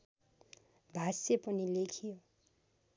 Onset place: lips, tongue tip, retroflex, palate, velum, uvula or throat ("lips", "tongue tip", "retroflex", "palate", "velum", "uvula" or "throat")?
lips